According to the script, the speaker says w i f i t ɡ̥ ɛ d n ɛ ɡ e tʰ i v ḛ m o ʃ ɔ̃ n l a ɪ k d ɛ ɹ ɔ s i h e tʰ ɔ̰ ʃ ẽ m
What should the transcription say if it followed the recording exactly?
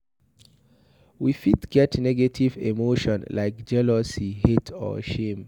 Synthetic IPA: w i f i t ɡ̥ ɛ t n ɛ ɡ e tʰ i v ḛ m o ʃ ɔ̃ n l a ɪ k d͡ʒ ɛ l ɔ s i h e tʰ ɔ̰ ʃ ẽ m